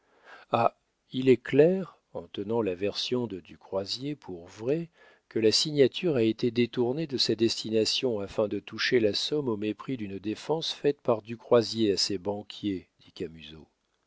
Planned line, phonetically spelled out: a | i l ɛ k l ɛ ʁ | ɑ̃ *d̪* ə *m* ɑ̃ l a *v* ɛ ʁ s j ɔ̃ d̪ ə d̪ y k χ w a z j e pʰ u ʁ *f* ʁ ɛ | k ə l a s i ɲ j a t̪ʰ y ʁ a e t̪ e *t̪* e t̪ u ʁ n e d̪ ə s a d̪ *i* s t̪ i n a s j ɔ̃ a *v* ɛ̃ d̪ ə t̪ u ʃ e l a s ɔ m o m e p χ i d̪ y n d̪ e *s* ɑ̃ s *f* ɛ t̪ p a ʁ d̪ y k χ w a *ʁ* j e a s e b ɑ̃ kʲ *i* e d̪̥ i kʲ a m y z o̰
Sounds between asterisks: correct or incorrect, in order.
incorrect: t̪, incorrect: n, correct, incorrect: v, incorrect: d̪, incorrect: ɛ, incorrect: f, incorrect: f, correct, incorrect: z, incorrect: j

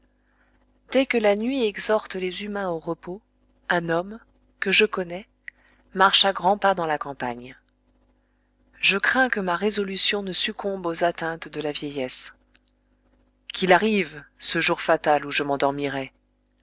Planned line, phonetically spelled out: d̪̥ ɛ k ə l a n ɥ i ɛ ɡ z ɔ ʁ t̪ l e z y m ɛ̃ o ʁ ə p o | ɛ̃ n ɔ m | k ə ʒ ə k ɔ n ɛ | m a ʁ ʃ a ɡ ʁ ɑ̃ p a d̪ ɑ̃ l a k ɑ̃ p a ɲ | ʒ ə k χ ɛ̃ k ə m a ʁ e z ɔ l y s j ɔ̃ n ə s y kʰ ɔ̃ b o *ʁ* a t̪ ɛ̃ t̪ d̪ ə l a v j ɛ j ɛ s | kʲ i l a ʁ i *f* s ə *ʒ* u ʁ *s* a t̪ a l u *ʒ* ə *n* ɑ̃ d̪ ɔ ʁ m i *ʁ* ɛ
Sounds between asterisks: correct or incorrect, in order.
incorrect: z, incorrect: v, correct, incorrect: f, correct, incorrect: m, correct

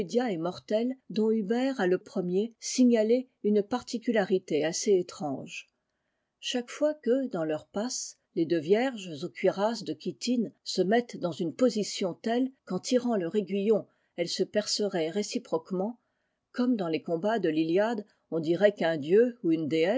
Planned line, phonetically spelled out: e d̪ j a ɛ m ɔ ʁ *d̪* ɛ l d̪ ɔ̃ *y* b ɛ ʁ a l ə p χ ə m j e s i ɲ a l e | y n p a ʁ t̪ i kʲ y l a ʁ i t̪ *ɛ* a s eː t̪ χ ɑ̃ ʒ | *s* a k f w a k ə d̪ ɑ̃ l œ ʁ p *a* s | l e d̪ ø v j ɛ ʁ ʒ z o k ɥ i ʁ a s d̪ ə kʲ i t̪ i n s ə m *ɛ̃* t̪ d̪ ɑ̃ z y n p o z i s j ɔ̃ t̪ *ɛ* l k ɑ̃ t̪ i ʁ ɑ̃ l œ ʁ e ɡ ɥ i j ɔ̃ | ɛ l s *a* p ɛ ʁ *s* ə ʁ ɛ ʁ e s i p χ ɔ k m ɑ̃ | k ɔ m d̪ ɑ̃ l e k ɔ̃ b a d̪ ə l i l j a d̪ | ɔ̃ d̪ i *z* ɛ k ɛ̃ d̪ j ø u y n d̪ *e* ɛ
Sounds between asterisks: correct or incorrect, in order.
incorrect: t̪, correct, incorrect: e, incorrect: ʃ, correct, incorrect: ɛ, correct, incorrect: ə, correct, incorrect: ʁ, correct

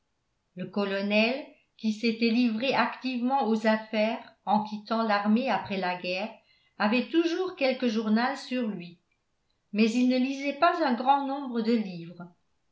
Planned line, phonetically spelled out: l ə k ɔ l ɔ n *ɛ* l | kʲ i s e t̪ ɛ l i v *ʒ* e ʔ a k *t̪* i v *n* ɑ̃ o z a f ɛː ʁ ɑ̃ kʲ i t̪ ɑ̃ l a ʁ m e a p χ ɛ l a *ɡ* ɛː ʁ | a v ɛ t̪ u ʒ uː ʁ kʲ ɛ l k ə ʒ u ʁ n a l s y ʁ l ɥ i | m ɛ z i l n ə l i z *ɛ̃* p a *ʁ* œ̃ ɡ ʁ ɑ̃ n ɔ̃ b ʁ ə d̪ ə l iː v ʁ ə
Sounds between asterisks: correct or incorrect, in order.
correct, incorrect: ʁ, correct, incorrect: m, correct, incorrect: ɛ, incorrect: z

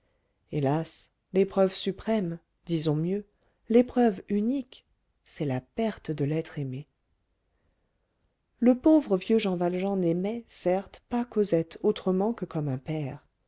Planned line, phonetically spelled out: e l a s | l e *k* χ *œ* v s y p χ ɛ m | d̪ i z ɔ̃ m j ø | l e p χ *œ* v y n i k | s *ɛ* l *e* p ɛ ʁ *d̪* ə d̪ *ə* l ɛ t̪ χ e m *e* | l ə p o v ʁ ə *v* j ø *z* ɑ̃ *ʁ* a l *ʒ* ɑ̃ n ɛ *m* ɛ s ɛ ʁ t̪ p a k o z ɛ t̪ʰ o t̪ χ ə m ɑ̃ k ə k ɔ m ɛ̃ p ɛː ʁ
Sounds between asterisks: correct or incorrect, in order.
incorrect: p, correct, correct, correct, incorrect: a, incorrect: t̪, correct, correct, correct, incorrect: ʒ, incorrect: v, correct, correct

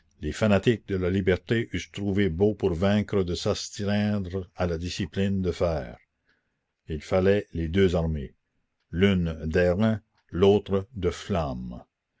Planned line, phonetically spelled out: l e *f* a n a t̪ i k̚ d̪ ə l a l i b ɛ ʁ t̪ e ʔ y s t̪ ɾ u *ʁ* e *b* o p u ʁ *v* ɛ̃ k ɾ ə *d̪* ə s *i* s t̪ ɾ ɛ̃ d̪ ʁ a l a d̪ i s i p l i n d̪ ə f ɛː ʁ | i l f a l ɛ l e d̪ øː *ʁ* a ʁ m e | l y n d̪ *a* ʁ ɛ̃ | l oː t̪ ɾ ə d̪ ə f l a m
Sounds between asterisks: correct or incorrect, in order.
correct, incorrect: v, correct, correct, correct, incorrect: a, incorrect: z, incorrect: ɛ

